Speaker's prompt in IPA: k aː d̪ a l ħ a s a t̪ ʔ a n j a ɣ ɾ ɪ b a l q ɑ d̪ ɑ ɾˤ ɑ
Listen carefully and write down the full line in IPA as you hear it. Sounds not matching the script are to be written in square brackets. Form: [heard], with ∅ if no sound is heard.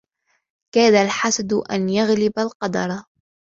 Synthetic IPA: k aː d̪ a l ħ a s a [d̪] ʔ a n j a ɣ [l] ɪ b a l q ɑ d̪ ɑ ɾˤ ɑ